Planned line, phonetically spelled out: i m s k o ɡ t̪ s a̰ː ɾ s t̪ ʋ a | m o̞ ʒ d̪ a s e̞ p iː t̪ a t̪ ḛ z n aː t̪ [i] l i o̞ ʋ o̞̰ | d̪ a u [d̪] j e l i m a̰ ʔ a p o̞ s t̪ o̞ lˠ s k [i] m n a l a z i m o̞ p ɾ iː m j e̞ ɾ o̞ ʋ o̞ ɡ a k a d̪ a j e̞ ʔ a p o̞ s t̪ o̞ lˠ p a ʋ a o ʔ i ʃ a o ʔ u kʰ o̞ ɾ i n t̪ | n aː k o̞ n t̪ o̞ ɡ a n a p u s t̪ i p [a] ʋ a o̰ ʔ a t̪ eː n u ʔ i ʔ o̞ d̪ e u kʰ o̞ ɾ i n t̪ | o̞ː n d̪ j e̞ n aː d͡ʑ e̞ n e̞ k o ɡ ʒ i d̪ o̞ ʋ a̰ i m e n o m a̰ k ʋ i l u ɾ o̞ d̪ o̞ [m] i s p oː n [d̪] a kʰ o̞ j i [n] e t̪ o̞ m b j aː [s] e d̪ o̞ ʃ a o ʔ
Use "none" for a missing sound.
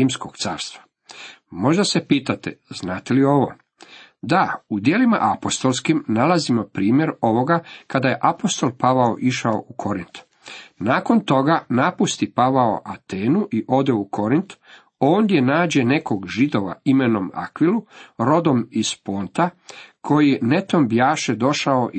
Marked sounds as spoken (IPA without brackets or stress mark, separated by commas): e, d̪, i, a, m, t̪, n, ʃ